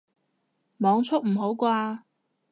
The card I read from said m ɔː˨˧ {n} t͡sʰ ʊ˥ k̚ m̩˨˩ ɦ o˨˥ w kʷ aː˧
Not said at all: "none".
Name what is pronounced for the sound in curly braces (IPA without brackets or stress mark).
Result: ŋ